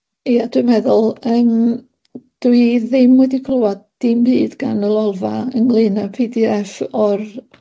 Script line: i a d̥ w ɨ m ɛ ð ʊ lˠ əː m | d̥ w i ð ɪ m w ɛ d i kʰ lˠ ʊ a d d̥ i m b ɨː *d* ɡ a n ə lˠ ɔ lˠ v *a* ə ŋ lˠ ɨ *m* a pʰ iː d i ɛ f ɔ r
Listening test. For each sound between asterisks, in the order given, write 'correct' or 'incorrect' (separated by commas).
correct, correct, incorrect